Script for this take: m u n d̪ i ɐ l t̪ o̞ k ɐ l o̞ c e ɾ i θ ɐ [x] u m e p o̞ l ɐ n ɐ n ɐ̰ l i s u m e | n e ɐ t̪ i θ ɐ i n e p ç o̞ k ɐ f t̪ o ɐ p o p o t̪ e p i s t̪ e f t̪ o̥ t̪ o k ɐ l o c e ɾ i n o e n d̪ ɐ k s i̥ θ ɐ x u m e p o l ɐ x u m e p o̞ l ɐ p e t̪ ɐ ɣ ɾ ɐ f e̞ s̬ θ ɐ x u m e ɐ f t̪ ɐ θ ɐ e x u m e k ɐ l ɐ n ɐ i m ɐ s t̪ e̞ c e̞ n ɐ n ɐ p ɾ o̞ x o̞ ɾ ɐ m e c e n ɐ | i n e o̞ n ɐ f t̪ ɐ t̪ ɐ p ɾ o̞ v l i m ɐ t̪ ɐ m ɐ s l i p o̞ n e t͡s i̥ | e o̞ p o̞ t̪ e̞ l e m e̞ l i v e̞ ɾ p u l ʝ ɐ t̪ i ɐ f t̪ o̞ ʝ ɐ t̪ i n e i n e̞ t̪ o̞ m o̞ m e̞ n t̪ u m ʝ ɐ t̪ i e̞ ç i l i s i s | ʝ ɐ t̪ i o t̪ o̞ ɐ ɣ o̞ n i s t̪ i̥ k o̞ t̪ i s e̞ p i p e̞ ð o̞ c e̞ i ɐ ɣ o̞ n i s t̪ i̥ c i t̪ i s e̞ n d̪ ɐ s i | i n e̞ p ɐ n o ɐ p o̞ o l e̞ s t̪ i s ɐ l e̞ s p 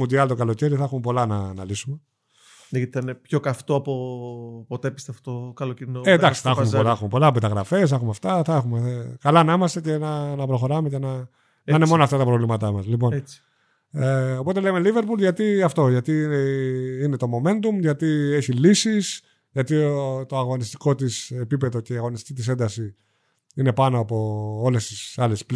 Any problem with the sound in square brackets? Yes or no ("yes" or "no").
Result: no